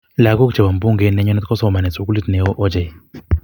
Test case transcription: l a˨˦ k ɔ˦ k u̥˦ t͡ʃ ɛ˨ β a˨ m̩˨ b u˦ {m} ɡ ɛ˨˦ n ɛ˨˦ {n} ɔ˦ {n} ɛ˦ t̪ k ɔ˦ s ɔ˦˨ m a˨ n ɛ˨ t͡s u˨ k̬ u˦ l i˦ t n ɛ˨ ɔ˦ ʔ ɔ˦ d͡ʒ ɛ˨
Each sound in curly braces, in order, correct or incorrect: incorrect: ŋ, incorrect: ɲ, correct

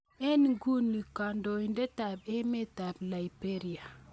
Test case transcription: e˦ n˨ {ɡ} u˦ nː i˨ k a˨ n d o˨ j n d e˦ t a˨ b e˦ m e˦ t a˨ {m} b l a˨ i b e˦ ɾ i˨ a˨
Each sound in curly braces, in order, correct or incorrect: correct, incorrect: none

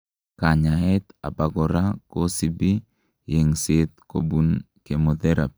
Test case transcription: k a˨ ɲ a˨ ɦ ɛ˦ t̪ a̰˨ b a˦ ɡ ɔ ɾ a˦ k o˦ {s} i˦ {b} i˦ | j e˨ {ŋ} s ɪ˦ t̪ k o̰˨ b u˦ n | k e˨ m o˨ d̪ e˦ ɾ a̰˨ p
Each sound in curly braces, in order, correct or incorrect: correct, correct, correct

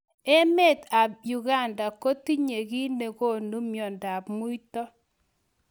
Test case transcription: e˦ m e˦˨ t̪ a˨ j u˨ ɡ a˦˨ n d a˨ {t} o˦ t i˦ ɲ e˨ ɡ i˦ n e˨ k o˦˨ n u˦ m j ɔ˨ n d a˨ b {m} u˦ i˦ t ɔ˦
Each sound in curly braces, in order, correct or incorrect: incorrect: k, correct

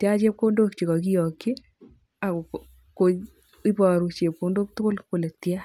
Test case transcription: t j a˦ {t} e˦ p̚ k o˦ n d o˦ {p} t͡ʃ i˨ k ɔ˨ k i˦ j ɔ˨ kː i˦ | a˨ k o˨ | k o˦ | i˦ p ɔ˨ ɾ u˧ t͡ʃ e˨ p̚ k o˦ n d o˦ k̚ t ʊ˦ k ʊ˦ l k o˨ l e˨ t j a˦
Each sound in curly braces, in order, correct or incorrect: incorrect: t͡ʃ, incorrect: k

